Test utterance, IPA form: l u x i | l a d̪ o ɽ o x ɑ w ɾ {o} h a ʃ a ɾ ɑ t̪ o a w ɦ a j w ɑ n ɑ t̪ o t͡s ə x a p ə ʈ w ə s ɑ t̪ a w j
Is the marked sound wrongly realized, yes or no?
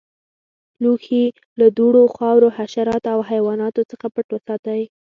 no